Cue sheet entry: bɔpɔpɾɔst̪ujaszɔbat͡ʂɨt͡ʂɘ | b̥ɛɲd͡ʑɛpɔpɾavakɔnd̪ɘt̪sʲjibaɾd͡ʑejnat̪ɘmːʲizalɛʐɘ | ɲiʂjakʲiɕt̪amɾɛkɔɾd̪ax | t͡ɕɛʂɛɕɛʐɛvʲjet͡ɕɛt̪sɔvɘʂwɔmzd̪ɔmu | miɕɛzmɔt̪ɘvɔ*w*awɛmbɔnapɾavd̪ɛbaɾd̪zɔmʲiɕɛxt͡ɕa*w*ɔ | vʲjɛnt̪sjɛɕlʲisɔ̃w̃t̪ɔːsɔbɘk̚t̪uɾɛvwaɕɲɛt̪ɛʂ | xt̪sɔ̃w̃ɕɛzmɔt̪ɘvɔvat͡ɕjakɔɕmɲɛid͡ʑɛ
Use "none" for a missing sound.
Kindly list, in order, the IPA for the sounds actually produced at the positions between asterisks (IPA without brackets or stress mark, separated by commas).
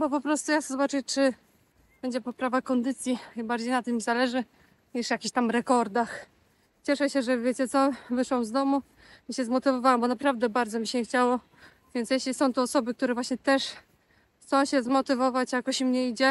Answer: v, w